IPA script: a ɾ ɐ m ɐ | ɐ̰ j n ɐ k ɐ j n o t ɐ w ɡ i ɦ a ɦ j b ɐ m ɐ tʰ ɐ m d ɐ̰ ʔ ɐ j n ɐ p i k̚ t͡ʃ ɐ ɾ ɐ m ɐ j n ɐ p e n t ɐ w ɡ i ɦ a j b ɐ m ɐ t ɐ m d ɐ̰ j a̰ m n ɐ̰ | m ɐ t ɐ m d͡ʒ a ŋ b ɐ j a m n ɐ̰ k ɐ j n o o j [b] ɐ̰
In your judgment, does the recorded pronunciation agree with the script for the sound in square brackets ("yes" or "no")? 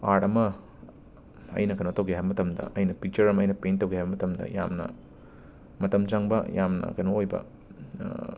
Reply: yes